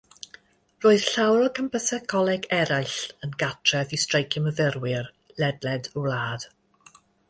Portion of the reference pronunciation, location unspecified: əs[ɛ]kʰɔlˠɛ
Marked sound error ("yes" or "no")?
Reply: no